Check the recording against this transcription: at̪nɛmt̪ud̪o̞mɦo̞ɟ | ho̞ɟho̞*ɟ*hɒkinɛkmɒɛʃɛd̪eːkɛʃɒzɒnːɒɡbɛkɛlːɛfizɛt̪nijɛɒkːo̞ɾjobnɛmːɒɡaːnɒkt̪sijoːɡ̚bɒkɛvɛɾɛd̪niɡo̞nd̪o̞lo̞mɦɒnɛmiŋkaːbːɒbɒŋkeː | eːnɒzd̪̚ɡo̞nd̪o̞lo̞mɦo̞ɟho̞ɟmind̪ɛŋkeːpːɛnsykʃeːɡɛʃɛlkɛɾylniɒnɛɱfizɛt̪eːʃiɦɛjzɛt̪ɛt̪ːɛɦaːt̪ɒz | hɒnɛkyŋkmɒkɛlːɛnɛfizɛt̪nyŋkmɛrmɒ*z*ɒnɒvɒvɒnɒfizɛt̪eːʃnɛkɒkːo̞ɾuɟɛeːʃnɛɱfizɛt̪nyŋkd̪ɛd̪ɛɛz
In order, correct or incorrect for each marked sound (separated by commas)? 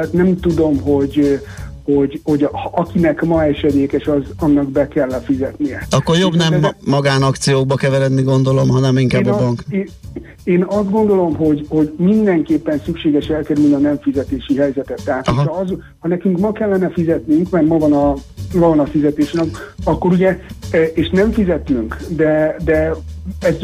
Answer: correct, incorrect